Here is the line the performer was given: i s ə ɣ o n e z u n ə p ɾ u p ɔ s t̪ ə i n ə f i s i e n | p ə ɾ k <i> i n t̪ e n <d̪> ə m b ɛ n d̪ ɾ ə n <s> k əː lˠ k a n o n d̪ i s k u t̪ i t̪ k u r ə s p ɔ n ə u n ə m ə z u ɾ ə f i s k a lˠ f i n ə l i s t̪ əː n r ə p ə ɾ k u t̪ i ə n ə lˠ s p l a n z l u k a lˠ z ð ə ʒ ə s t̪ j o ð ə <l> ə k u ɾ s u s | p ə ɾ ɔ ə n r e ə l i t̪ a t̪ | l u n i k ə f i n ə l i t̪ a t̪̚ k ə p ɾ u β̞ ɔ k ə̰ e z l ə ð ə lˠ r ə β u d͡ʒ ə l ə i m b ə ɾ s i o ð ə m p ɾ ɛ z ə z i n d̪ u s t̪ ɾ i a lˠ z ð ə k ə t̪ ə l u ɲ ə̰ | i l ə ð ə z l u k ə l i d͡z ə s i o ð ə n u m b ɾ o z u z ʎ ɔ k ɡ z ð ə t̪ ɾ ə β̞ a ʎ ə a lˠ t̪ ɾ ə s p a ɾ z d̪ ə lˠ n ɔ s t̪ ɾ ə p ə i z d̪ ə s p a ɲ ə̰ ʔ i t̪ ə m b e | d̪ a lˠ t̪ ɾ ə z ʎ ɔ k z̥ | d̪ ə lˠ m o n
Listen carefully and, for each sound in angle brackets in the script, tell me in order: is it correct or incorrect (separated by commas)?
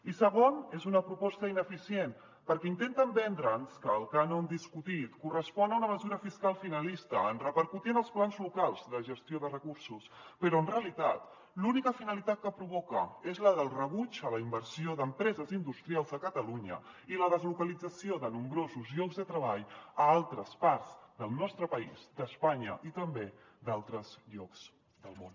incorrect, incorrect, correct, incorrect